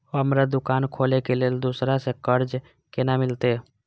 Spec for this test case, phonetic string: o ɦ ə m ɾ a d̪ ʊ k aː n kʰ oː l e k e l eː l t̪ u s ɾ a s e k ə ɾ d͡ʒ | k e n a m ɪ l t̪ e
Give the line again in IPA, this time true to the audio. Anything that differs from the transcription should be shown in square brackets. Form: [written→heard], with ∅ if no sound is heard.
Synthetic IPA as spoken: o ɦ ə m ɾ a d̪ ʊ k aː n kʰ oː l e k e l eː l [t̪→d̪] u s ɾ a s e k ə ɾ d͡ʒ | k e n a m ɪ l t̪ e